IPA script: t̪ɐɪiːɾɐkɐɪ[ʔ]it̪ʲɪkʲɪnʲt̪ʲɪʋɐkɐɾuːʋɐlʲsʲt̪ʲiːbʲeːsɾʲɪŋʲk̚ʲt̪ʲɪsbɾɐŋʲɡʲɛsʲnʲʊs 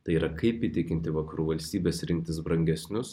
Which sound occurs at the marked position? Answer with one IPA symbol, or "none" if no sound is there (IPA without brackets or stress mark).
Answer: p